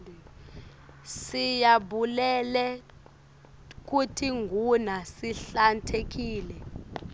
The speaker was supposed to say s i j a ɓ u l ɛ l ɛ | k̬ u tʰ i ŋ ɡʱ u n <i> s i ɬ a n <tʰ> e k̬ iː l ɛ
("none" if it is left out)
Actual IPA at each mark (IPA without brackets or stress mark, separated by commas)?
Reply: a, tʰ